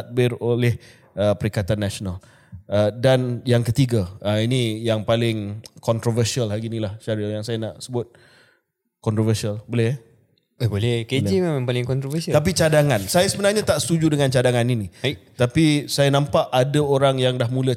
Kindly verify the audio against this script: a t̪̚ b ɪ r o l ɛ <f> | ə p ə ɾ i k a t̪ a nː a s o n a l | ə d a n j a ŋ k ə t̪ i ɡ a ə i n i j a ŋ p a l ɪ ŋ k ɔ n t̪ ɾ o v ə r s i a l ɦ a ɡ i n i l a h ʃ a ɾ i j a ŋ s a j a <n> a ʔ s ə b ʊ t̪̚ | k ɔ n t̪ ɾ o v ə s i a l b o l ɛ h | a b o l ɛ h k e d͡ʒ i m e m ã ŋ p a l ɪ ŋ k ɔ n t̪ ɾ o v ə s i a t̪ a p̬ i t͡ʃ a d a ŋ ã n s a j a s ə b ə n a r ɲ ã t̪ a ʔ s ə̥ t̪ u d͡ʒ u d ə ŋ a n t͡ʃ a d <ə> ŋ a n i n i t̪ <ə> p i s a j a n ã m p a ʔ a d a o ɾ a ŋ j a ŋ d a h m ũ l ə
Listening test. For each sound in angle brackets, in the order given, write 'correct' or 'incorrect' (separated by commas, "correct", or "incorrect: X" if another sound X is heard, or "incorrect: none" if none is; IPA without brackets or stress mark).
incorrect: h, correct, incorrect: a, incorrect: a